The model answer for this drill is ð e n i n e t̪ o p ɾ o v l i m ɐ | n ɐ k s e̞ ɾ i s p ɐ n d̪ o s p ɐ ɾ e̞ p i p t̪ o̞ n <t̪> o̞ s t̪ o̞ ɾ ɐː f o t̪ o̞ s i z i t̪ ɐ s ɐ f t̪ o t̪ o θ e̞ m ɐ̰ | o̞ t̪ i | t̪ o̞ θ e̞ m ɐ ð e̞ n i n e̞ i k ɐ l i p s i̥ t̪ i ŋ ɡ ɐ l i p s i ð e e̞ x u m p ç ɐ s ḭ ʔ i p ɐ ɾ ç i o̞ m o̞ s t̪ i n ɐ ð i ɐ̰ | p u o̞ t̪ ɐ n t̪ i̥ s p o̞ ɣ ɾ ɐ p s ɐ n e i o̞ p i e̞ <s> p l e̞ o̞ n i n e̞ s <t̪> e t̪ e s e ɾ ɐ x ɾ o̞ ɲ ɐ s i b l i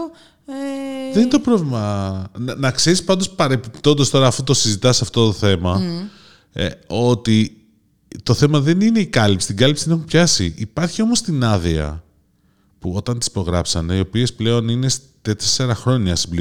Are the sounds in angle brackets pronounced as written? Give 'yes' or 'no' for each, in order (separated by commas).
no, yes, yes